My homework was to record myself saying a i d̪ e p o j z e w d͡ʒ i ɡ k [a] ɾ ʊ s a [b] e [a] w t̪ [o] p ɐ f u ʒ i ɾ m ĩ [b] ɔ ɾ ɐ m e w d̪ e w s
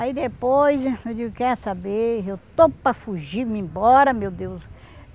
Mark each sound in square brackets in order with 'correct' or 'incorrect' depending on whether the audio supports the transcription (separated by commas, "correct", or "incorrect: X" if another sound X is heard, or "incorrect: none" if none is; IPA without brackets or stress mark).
incorrect: ɛ, correct, incorrect: e, correct, correct